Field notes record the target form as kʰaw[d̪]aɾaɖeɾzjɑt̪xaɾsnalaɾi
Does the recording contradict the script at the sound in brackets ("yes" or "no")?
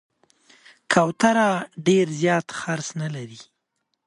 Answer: yes